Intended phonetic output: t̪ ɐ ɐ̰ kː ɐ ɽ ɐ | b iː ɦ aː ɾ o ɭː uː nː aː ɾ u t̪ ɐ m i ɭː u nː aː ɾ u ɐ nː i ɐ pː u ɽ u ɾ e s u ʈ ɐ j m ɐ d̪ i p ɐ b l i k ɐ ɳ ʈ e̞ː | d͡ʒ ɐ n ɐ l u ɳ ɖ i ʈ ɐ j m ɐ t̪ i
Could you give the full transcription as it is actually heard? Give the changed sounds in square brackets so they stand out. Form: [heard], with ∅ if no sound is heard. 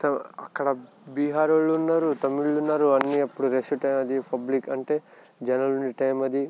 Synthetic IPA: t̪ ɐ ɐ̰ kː ɐ ɽ ɐ | b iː ɦ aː ɾ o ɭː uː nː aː ɾ u t̪ ɐ m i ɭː u nː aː ɾ u ɐ nː i ɐ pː u ɽ u ɾ e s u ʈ ɐ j m ɐ d̪ i p ɐ b l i k ɐ ɳ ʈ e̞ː | d͡ʒ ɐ n ɐ l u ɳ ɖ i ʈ ɐ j m ɐ [d̪] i